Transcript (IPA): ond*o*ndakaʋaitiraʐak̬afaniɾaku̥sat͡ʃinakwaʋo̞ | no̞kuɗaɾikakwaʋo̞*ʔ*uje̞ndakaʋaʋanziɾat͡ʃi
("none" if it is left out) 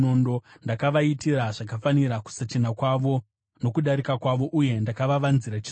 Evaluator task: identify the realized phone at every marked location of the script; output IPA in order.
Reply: o, ʔ

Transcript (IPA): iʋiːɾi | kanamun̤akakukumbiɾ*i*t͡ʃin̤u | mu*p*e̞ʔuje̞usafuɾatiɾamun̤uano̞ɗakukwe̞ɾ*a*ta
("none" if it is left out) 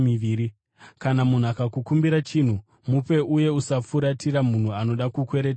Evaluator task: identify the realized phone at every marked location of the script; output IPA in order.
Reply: a, p, e

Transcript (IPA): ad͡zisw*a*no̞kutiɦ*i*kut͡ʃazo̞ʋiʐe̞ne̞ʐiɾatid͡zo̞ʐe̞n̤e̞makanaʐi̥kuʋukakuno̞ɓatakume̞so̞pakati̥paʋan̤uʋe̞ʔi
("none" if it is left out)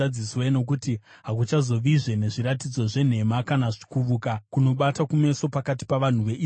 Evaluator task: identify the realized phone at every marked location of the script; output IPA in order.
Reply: e, a

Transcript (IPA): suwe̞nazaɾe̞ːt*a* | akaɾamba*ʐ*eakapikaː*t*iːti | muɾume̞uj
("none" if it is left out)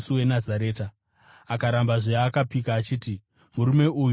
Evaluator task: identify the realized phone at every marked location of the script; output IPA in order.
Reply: a, ʐ, t͡ʃ

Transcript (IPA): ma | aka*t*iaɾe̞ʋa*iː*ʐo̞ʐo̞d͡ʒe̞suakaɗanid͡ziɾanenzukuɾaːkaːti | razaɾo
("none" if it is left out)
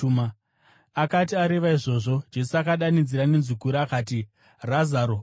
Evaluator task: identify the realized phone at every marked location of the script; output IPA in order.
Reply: t, i

